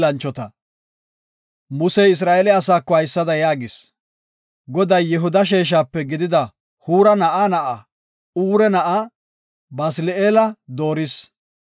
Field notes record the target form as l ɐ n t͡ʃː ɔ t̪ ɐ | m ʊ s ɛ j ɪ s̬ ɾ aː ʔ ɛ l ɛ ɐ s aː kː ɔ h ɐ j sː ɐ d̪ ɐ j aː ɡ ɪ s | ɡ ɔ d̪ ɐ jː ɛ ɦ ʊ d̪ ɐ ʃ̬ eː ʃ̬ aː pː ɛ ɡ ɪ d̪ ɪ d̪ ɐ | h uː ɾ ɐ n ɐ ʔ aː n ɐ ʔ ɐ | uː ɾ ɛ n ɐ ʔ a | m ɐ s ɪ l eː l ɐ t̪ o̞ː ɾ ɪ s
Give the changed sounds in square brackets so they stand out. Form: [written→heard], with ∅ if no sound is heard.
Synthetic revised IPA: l ɐ n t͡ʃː ɔ t̪ ɐ | m ʊ s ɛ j ɪ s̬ ɾ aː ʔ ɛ l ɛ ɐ s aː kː ɔ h ɐ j sː ɐ d̪ ɐ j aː ɡ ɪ s | ɡ ɔ d̪ ɐ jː ɛ ɦ ʊ d̪ ɐ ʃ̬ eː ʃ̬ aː pː ɛ ɡ ɪ d̪ ɪ d̪ ɐ | h uː ɾ ɐ n ɐ ʔ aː n ɐ ʔ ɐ | uː ɾ ɛ n ɐ ʔ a | [m→b] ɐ s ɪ l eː l ɐ [t̪→d̪] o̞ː ɾ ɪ s

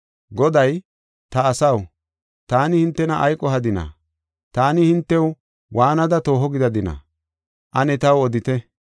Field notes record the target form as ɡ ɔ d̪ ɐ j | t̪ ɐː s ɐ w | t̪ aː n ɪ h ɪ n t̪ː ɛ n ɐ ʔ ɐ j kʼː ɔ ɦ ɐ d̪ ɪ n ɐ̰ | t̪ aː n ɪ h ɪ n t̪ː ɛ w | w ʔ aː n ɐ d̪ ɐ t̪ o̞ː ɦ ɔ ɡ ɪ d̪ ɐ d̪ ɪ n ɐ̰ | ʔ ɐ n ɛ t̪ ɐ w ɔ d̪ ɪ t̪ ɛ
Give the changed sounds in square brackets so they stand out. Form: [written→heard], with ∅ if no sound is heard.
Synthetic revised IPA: ɡ ɔ d̪ ɐ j | t̪ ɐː s ɐ w | t̪ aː n ɪ h ɪ n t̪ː ɛ n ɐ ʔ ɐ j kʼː ɔ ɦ ɐ d̪ ɪ n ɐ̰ | t̪ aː n ɪ h ɪ n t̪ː ɛ w | w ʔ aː n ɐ d̪ ɐ t̪ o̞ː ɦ ɔ ɡ ɪ d̪ ɐ d̪ ɪ n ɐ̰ | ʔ ɐ n ɛ t̪ ɐ w ɔ d̪ ɪ t̪ ɛ

